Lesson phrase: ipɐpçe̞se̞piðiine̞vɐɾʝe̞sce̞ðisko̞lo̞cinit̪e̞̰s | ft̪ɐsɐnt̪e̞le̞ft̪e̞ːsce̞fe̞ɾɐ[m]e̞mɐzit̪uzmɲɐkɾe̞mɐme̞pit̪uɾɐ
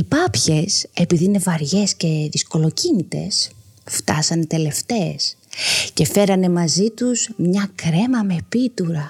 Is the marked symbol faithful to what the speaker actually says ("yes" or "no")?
no